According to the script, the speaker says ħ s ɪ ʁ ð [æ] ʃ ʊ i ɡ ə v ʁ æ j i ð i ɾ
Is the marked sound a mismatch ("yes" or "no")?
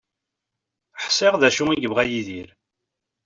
no